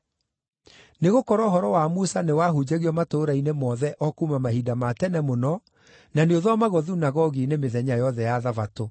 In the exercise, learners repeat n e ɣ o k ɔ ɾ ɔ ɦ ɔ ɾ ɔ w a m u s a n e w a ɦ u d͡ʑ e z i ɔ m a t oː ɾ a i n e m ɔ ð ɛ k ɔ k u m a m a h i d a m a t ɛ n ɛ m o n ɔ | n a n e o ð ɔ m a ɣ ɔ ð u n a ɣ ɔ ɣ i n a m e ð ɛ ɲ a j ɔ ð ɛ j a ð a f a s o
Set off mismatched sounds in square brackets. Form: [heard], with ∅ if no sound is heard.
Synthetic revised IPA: n e ɣ o k ɔ ɾ ɔ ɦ ɔ ɾ ɔ w a m u s a n e w a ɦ u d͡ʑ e [ɣ] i ɔ m a t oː ɾ a i n e m ɔ ð ɛ [ʔ] ɔ k u m a m a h i d a m a t ɛ n ɛ m o n ɔ | n a n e o ð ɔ m a ɣ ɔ ð u n a ɣ ɔ ɣ i n [e] m e ð ɛ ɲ a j ɔ ð ɛ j a ð a [v] a [t] o